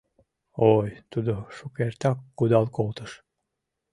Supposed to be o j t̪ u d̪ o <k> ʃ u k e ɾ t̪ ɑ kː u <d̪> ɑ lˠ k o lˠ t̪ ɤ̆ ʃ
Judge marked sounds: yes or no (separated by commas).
no, yes